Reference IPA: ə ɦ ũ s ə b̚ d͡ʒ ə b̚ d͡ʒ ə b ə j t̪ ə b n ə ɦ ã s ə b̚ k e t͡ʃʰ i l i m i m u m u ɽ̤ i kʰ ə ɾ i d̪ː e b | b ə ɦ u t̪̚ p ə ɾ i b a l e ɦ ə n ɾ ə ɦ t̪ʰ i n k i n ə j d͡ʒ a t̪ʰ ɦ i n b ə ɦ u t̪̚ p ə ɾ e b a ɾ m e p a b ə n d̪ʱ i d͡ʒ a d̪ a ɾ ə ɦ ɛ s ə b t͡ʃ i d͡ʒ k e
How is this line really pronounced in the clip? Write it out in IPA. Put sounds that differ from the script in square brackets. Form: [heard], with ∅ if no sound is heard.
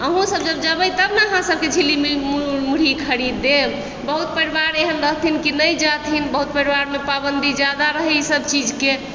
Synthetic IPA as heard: ə ɦ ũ s ə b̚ d͡ʒ ə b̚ d͡ʒ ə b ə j t̪ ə b n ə ɦ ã s ə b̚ k e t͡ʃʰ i l i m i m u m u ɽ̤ i kʰ ə ɾ i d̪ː e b | b ə ɦ u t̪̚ p ə ɾ i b a [ɾ] e ɦ ə n ɾ ə ɦ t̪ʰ i n k i n ə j d͡ʒ a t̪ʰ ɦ i n b ə ɦ u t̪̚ p ə ɾ [i] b a ɾ m e p a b ə n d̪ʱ i d͡ʒ a d̪ a ɾ ə ɦ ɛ s ə b t͡ʃ i d͡ʒ k e